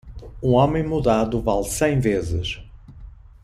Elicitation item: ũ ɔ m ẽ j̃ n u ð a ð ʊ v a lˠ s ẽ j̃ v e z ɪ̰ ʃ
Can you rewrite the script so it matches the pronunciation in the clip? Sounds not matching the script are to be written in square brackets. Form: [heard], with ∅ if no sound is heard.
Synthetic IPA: ũ ɔ m ẽ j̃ [m] u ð a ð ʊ v a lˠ s ẽ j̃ v e z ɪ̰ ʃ